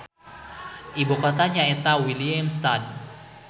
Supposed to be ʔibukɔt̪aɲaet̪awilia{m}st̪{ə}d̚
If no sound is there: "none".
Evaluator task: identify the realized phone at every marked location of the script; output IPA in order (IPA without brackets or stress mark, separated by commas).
m, a